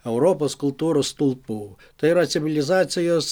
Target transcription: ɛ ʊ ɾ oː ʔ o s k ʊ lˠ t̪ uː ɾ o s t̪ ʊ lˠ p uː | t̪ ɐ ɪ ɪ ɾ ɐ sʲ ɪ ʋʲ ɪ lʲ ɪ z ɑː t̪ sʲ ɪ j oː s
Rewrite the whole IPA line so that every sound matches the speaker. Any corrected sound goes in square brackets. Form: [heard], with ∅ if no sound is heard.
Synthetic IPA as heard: ɛ ʊ ɾ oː [p] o s k ʊ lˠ t̪ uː ɾ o s t̪ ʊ lˠ p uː | t̪ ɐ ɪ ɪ ɾ ɐ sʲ ɪ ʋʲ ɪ lʲ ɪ z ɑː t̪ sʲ ɪ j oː s